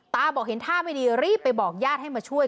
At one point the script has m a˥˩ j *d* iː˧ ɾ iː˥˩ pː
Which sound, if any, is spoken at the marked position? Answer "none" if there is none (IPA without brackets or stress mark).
d